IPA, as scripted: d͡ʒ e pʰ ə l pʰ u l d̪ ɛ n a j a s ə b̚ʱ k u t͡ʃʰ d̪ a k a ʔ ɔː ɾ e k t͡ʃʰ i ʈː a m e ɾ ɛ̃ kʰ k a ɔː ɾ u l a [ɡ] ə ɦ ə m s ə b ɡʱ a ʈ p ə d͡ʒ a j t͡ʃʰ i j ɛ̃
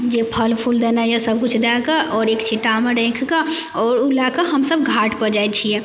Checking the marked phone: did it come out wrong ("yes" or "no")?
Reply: yes